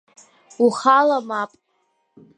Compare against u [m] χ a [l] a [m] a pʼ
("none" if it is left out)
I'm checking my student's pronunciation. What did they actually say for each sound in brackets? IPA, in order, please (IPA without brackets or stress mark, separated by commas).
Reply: none, l, m